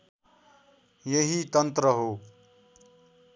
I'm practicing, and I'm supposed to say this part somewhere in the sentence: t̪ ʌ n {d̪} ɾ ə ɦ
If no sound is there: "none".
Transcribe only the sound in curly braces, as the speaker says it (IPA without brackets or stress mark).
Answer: t̪